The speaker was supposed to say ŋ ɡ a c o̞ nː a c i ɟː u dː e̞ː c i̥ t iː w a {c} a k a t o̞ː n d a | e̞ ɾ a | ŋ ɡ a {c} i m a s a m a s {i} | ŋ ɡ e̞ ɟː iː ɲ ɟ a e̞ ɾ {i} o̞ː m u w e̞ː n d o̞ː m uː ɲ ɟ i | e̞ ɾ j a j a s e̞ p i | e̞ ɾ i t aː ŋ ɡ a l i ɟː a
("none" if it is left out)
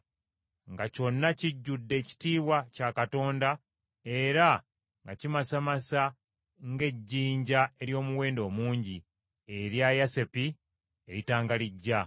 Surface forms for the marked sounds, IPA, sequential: c, c, a, j

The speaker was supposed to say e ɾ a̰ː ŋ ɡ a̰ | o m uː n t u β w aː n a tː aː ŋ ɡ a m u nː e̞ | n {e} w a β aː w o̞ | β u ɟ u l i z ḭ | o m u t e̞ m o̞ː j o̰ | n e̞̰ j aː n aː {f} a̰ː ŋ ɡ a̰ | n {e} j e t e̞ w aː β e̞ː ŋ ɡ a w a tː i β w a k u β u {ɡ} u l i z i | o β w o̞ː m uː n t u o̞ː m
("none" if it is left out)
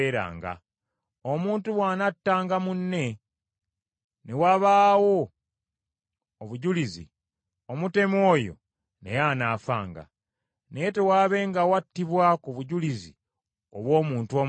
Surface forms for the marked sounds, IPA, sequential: e, f, e, ɟ

